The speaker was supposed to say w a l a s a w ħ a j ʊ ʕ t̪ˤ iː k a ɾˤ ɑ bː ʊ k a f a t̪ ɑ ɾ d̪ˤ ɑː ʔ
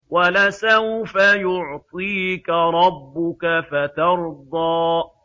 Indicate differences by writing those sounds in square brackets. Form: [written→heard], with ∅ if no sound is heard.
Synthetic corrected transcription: w a l a s a w [ħ→f] a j ʊ ʕ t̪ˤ iː k a ɾˤ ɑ bː ʊ k a f a t̪ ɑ ɾ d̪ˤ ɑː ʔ

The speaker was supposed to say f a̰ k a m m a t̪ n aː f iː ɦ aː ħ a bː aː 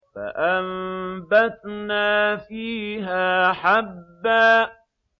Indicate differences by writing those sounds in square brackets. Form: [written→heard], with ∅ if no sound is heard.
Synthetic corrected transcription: f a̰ [k→ʔ] a m [m→b] a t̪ n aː f iː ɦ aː ħ a bː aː

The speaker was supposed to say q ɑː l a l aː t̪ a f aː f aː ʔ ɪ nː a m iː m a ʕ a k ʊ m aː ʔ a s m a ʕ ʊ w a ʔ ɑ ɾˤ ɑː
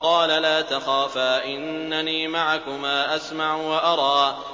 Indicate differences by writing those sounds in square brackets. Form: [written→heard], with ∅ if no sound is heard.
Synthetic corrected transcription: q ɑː l a l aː t̪ a [f→x] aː f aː ʔ ɪ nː a [m→n] iː m a ʕ a k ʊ m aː ʔ a s m a ʕ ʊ w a ʔ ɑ ɾˤ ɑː

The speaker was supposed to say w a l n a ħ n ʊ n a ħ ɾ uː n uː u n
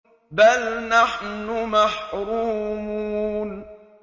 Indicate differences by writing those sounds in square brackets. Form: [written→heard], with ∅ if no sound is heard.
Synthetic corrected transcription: [w→b] a l n a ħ n ʊ [n→m] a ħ ɾ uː [n→m] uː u n

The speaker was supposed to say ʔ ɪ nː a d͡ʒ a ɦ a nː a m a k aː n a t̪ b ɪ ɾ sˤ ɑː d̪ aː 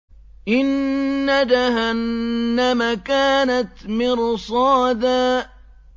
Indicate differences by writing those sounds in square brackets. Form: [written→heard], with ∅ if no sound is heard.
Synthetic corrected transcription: ʔ ɪ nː a d͡ʒ a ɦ a nː a m a k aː n a t̪ [b→m] ɪ ɾ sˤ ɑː d̪ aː

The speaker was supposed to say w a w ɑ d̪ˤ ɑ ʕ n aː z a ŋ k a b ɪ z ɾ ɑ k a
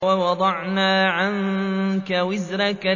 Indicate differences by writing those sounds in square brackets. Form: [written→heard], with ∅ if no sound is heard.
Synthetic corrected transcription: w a w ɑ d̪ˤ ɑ ʕ n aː [z→ʕ] a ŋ k a [b→w] ɪ z ɾ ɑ k a

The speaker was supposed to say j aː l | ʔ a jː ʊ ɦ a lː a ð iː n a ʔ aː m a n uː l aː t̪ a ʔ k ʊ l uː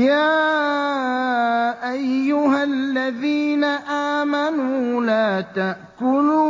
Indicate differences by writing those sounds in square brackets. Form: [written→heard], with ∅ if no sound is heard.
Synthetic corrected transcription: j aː [l→∅] | ʔ a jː ʊ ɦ a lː a ð iː n a ʔ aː m a n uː l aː t̪ a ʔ k ʊ l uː

